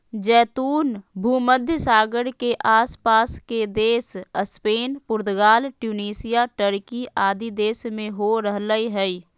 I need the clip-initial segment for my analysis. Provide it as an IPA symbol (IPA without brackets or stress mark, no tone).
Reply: d͡ʒ